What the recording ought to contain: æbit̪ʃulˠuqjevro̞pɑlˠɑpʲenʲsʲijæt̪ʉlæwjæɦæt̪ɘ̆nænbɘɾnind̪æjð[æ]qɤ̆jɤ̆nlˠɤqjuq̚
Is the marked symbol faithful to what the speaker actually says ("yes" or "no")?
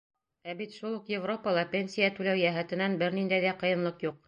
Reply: yes